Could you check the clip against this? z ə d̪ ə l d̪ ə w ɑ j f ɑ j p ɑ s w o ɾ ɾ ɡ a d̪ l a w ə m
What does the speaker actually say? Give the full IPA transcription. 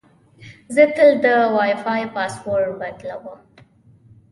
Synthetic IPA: z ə t̪ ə l d̪ ə w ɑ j f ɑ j p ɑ s w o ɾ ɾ b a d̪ l a w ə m